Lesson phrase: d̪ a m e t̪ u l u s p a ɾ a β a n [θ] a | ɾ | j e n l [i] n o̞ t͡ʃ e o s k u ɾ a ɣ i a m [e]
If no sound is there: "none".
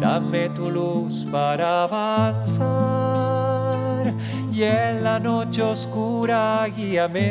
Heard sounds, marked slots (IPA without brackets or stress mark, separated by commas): s, a, e